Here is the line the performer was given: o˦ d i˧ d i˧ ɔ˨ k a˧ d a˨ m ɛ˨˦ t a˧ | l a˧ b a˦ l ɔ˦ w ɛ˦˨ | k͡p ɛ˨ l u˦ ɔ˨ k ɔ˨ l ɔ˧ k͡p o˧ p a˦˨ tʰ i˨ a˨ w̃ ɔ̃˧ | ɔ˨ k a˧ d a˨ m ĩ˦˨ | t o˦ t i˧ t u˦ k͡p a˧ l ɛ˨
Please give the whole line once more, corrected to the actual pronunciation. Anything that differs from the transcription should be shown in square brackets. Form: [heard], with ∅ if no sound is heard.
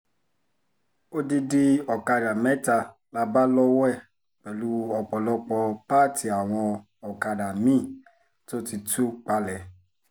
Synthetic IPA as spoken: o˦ d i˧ d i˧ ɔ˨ k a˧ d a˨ m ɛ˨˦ t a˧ | l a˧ b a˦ l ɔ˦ w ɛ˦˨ | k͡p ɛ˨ l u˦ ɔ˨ [k͡p] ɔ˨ l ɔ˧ k͡p [ɔ˧] p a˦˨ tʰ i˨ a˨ w̃ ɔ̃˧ | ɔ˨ k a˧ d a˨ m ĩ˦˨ | t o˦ t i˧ t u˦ k͡p a˧ l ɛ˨

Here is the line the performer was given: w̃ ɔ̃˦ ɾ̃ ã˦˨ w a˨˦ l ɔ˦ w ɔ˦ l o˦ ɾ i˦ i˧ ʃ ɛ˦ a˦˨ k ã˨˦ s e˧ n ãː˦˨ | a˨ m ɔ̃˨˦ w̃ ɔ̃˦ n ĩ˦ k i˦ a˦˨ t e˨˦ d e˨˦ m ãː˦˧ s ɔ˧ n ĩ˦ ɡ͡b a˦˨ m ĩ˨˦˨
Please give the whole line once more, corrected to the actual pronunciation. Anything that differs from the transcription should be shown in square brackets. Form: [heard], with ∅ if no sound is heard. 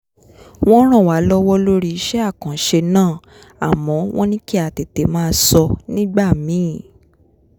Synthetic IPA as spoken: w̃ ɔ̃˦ ɾ̃ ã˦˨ w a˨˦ l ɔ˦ w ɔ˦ l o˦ ɾ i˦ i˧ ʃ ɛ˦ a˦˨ k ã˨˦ [ʃ] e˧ n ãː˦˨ | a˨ m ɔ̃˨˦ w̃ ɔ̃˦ n ĩ˦ k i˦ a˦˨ t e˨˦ [t] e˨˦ m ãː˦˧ s ɔ˧ n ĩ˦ ɡ͡b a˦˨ m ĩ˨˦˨

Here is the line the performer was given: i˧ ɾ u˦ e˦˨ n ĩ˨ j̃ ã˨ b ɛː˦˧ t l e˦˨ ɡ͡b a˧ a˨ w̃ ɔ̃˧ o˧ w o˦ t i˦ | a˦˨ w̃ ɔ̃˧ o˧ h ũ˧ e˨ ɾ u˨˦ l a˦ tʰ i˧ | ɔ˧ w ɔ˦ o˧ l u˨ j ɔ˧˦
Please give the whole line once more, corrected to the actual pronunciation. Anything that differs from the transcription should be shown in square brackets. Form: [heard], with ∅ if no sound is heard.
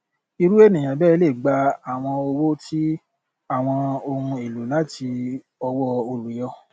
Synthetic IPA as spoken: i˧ ɾ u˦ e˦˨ n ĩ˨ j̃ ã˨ b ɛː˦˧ [∅] l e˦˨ ɡ͡b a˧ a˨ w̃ ɔ̃˧ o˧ w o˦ t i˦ | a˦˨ w̃ ɔ̃˧ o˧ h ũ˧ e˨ [l] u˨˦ l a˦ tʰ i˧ | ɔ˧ w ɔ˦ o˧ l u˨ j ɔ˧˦

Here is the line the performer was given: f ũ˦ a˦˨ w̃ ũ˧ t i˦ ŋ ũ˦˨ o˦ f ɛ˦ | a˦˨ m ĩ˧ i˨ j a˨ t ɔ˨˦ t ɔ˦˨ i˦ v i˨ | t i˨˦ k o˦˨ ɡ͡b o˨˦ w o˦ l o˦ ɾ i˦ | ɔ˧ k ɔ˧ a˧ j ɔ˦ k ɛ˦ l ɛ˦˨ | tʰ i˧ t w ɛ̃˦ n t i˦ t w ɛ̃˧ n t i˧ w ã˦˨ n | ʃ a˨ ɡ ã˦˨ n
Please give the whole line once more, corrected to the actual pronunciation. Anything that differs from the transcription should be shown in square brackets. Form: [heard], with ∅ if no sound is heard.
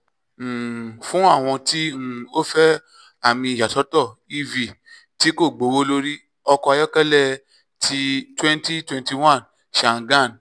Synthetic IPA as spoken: f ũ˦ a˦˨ w̃ [ɔ̃˧] t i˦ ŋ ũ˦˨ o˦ f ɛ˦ | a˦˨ m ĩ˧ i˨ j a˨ t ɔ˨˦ t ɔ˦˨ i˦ v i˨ | t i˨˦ k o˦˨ ɡ͡b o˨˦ w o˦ l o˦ ɾ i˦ | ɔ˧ k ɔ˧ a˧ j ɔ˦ k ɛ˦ l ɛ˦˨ | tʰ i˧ t w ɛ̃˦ n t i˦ t w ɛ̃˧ n t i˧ w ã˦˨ n | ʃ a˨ ɡ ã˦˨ n

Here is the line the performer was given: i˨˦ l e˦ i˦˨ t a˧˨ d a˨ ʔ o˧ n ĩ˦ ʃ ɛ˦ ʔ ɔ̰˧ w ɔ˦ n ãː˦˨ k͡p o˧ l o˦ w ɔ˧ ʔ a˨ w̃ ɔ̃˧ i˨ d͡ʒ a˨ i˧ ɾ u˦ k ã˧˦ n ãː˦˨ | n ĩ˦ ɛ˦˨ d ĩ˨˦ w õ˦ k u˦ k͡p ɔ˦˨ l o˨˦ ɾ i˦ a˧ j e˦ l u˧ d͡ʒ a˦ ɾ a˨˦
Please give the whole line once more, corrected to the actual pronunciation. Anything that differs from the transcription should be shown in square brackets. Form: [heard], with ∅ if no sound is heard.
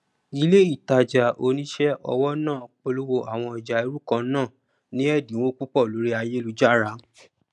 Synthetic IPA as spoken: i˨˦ l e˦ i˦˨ t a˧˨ [d͡ʒ] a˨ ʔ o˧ n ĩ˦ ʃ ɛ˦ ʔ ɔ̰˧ w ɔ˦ n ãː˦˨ k͡p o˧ l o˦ w [o˧] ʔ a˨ w̃ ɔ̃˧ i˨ d͡ʒ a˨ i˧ ɾ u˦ k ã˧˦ n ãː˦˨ | n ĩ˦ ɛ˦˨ d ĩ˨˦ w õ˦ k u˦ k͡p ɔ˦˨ l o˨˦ ɾ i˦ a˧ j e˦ l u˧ d͡ʒ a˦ ɾ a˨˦

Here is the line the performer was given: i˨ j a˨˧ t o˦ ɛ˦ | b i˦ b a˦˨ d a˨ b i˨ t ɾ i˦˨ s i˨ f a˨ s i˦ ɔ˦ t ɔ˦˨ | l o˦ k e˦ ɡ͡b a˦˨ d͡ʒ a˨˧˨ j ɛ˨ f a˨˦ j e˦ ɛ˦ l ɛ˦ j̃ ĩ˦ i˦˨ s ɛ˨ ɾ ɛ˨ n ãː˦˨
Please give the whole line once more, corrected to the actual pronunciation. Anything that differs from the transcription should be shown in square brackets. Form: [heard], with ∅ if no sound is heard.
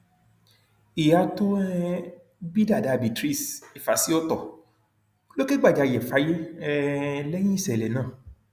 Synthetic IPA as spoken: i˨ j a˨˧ t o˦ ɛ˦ | b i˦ [d] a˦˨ d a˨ b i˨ t ɾ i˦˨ s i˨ f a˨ s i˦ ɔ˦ t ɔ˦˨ | l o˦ k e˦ ɡ͡b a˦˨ d͡ʒ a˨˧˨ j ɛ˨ f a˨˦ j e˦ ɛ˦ l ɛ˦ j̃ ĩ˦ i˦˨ s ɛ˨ [l] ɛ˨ n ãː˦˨

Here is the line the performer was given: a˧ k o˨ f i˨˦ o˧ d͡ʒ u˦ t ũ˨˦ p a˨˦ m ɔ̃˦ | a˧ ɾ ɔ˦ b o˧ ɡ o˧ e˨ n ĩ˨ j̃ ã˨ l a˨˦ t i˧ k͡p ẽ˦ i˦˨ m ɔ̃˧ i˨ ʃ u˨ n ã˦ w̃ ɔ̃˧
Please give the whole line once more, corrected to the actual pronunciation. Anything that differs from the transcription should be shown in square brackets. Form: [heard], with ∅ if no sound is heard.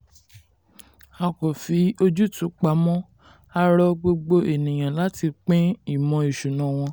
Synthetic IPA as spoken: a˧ k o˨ f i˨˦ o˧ d͡ʒ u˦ t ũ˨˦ [k͡p] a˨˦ m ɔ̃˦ | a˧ ɾ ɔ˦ [ɡ͡b] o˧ [ɡ͡b] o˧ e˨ n ĩ˨ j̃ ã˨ l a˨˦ t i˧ k͡p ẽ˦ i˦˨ m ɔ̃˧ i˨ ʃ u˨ n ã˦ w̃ ɔ̃˧

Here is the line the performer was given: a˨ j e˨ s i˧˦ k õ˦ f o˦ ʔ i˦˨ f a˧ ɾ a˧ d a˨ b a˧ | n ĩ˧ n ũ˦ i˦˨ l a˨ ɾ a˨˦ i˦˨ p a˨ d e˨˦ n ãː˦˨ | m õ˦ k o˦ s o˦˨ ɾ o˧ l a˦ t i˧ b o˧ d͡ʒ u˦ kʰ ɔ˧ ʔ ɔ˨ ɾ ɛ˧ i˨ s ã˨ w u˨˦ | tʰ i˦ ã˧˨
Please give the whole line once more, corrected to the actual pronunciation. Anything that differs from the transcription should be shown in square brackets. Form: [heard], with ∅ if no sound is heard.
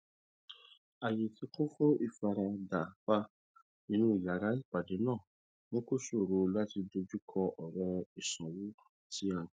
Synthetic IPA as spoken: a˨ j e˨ [t] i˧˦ k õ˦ f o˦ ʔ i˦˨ f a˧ ɾ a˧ d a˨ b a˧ | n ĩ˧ n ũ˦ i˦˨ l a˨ ɾ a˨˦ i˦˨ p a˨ d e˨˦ n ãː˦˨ | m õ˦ k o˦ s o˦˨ ɾ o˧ l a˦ t i˧ [d] o˧ d͡ʒ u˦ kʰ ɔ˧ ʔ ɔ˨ ɾ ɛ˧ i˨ s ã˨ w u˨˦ | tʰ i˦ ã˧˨

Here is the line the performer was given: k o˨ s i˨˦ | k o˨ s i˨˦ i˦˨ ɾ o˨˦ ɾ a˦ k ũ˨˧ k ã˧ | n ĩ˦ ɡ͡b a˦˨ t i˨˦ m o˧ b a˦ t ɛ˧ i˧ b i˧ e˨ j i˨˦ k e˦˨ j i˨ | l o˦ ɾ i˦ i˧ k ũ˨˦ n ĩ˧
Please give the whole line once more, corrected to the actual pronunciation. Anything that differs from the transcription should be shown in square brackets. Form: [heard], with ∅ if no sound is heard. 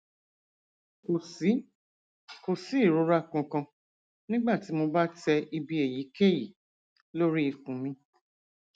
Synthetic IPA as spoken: k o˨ s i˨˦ | k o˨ s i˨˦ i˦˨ ɾ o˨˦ ɾ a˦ k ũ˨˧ k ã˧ | n ĩ˦ ɡ͡b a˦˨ t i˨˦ m o˧ b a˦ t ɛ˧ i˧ b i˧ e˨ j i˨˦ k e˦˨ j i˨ | l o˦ ɾ i˦ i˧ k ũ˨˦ [m] ĩ˧

